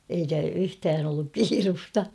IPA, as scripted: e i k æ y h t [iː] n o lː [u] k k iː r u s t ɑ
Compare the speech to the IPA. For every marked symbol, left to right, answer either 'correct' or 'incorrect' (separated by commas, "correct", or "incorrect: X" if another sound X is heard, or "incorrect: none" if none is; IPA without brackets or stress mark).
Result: incorrect: æː, correct